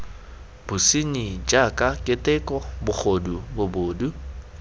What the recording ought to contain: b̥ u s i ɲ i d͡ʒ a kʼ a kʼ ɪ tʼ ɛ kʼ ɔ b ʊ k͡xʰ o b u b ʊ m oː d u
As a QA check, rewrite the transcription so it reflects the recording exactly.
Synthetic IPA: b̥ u s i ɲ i d͡ʒ a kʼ a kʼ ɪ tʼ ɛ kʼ ɔ b ʊ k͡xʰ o d u b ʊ b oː d u

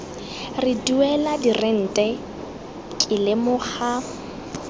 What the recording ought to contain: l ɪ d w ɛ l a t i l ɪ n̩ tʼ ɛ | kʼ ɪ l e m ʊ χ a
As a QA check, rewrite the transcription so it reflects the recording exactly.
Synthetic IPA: r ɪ d u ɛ l a d i r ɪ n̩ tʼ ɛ | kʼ ɪ l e m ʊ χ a

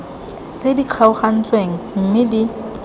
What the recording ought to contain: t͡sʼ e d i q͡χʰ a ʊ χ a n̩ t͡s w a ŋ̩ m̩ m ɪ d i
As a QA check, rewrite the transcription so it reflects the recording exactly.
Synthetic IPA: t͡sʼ e d i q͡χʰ a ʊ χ a n̩ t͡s w e ŋ̩ m̩ m ɪ d i

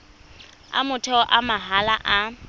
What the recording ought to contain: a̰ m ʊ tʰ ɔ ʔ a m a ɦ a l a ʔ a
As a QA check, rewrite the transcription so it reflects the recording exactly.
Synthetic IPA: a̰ m ʊ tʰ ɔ ʔ a m a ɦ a l a ʔ a

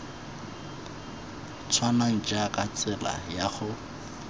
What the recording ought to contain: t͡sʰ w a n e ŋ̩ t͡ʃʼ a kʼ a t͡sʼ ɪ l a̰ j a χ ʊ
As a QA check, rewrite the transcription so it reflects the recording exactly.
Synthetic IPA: t͡sʰ w a n a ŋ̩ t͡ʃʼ a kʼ a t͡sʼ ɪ l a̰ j a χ ʊ

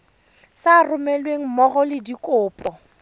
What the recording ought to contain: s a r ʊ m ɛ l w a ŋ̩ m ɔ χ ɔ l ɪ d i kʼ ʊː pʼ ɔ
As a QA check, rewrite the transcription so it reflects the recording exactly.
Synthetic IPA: s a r ʊ m ɛ l w e ŋ̩ m ɔ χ ɔ l ɪ d i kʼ ʊː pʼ ɔ

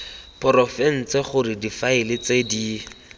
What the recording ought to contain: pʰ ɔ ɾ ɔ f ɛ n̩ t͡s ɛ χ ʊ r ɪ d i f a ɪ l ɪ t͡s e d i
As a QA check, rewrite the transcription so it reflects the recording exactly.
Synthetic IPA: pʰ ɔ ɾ ɔ f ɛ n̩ t͡s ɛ χ ʊ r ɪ d i f a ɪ l ɪ t͡s e d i

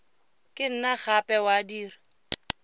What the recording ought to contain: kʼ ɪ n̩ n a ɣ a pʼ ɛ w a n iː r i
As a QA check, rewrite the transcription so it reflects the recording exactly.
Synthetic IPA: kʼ ɪ n̩ n a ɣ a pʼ ɛ w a d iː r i

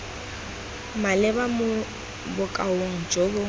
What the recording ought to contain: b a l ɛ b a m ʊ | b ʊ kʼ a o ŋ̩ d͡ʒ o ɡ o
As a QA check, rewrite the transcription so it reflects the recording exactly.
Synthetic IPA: m a l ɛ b a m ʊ | b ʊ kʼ a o ŋ̩ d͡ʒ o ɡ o

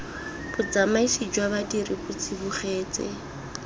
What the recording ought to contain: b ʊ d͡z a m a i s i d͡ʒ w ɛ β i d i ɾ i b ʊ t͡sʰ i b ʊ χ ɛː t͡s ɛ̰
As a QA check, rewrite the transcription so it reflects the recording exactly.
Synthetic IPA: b ʊ d͡z a m a i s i d͡ʒ w a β a d i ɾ i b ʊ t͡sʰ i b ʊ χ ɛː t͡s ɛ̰

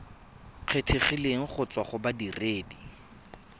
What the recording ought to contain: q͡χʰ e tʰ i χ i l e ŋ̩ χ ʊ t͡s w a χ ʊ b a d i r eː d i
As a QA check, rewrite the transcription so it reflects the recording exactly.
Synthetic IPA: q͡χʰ e tʰ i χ i l e ŋ̩ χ ʊ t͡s w a χ ʊ b a d i r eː d i

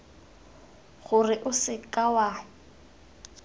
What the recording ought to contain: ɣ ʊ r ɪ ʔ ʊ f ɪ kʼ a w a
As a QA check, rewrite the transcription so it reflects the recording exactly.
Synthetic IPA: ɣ ʊ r ɪ ʔ ʊ s ɪ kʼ a w a

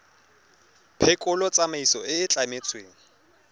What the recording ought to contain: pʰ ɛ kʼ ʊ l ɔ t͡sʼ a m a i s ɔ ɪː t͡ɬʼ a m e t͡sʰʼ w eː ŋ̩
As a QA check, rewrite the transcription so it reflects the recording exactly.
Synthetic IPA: pʰ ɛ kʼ ʊ l ɔ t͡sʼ a m a i s ɔ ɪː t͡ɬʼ a m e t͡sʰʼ w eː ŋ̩

